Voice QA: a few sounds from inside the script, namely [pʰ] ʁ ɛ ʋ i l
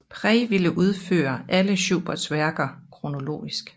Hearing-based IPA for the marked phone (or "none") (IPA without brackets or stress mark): pʰ